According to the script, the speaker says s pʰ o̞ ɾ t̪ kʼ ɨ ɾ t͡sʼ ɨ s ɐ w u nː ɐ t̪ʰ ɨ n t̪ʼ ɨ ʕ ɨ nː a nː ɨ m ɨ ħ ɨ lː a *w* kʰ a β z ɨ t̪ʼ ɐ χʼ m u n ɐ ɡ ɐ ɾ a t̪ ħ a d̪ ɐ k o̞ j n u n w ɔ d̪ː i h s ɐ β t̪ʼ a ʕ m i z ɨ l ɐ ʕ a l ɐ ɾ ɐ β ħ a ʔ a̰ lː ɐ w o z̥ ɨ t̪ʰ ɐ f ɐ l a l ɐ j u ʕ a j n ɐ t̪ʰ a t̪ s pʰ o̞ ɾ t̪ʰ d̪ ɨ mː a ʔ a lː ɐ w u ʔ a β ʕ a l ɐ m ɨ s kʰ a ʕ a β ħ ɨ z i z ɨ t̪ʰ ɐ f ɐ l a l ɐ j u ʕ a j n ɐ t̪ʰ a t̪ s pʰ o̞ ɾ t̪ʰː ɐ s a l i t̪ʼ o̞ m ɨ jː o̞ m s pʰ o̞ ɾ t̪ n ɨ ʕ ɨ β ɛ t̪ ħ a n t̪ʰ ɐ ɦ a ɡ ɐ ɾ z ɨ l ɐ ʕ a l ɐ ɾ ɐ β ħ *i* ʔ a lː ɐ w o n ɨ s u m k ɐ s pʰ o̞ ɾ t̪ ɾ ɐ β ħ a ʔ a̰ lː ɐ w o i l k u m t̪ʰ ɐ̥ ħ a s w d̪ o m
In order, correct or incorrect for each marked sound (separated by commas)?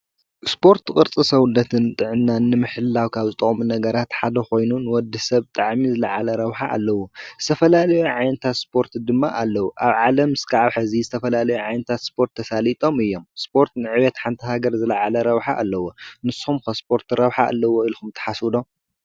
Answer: correct, incorrect